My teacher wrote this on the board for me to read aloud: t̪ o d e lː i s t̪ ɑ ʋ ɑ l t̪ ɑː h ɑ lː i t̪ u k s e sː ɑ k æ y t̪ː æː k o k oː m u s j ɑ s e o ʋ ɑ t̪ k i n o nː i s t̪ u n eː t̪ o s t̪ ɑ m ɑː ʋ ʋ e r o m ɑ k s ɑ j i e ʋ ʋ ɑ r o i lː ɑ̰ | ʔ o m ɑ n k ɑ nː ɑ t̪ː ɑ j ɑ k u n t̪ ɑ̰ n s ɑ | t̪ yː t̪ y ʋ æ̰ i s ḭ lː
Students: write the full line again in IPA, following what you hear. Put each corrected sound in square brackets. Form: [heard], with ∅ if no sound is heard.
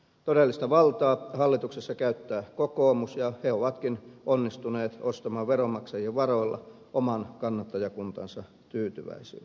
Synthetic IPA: t̪ o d e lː i s t̪ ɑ ʋ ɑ l t̪ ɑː h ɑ lː i t̪ u k s e sː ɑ k æ y t̪ː æː k o k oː m u s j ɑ [h] e o ʋ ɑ t̪ k i n o nː i s t̪ u n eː t̪ o s t̪ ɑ m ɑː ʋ ʋ e r o m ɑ k s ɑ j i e ʋ ʋ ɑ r o i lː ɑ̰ | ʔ o m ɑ n k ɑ nː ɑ t̪ː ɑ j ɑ k u n t̪ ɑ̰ n s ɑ | t̪ yː t̪ y ʋ æ̰ i s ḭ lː